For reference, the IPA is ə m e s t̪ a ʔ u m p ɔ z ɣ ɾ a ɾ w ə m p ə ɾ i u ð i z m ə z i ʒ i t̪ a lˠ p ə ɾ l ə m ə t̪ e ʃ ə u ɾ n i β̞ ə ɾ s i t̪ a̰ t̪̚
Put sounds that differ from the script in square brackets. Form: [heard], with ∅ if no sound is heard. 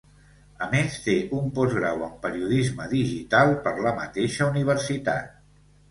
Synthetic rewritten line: ə m e s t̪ [e] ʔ u m p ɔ z ɣ ɾ a [∅] w ə m p ə ɾ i u ð i z m ə [ð] i ʒ i t̪ a lˠ p ə ɾ l ə m ə t̪ e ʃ ə u [∅] n i β̞ ə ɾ s i t̪ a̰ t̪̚